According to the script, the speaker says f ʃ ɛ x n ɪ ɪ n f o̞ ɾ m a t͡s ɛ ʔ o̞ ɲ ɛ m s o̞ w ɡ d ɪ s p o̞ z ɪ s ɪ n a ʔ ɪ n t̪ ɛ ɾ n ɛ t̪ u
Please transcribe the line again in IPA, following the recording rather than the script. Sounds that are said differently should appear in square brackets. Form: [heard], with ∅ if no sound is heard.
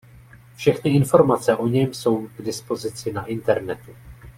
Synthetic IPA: f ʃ ɛ x n ɪ ɪ n f o̞ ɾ m a t͡s ɛ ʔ o̞ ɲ ɛ m s o̞ w ɡ d ɪ s p o̞ z ɪ [t͡s] ɪ n a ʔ ɪ n t̪ ɛ ɾ n ɛ t̪ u